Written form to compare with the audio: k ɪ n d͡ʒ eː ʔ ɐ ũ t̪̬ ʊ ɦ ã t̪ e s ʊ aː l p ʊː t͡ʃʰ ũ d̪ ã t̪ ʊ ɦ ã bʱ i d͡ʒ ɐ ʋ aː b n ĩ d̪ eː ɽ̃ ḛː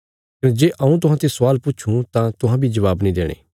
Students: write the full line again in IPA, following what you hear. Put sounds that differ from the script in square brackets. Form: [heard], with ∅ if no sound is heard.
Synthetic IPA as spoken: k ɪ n d͡ʒ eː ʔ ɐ ũ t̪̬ ʊ ɦ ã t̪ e s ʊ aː l p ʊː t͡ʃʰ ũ [t̪] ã t̪ ʊ ɦ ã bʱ i d͡ʒ ɐ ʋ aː b n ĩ d̪ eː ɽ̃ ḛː